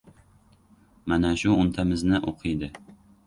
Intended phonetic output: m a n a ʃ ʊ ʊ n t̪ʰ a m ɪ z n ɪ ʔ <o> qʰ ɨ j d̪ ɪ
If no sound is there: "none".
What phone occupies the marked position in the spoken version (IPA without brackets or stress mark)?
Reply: o